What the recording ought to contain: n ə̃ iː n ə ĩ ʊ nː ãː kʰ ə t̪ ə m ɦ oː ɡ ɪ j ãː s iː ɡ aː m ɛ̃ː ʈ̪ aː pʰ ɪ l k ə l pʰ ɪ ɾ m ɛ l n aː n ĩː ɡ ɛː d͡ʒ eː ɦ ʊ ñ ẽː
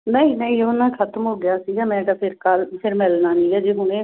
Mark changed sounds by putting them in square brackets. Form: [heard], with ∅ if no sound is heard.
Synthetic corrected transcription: n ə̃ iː n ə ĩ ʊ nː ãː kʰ ə t̪ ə m ɦ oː ɡ ɪ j [aː] s iː ɡ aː m ɛ̃ː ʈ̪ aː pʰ ɪ [ɾ] k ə l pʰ ɪ ɾ m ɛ l n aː n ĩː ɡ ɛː d͡ʒ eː ɦ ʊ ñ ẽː